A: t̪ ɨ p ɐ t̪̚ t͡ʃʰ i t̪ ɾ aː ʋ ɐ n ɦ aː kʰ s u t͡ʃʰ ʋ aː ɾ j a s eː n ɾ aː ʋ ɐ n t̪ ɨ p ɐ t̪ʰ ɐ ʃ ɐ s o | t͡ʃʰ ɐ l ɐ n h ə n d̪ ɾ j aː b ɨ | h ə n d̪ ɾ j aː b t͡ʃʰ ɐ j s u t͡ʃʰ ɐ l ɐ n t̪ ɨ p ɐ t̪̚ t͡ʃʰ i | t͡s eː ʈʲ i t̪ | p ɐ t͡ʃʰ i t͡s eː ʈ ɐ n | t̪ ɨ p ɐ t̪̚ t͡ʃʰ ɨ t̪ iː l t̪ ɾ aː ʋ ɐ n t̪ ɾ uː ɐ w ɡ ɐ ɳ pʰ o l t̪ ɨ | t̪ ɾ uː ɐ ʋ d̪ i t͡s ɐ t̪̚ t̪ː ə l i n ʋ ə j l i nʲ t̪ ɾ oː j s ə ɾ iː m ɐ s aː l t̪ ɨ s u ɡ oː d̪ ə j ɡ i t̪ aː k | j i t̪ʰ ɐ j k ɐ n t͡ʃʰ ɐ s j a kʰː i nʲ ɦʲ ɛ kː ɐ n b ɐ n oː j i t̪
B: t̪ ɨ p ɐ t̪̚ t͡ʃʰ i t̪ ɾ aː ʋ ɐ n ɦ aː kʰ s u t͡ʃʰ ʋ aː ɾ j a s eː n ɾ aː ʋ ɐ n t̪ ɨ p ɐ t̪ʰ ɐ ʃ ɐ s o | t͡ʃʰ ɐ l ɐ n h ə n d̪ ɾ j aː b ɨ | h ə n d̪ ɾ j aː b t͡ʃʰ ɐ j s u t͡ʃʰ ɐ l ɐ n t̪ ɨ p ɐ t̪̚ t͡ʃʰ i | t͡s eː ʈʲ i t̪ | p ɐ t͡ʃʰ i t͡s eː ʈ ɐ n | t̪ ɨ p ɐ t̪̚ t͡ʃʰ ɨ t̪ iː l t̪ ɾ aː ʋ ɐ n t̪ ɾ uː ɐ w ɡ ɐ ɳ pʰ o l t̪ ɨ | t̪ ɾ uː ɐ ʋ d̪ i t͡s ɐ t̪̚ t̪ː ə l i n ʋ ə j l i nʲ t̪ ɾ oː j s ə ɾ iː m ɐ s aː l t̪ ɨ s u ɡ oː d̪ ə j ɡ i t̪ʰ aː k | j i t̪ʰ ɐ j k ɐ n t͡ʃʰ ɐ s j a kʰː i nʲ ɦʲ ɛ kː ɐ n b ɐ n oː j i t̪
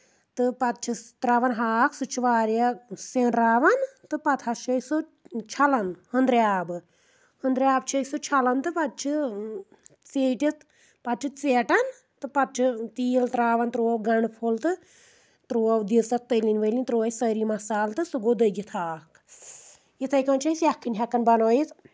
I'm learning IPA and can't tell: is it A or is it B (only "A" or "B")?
B